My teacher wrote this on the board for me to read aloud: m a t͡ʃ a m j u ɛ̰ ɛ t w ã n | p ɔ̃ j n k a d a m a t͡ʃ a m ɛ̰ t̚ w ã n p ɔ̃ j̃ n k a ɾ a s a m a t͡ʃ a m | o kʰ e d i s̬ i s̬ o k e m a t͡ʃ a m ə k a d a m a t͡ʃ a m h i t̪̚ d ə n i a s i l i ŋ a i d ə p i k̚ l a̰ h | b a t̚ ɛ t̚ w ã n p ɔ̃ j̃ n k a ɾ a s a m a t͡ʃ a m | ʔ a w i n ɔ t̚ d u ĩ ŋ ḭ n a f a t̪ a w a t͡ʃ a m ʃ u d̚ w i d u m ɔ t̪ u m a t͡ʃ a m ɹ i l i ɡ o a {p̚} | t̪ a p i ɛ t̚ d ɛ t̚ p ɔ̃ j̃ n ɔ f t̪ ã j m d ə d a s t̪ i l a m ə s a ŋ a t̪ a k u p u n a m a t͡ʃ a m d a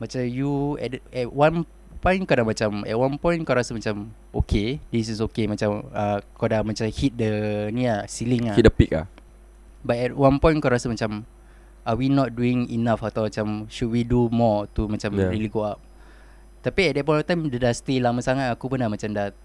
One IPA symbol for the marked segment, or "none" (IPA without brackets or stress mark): p̚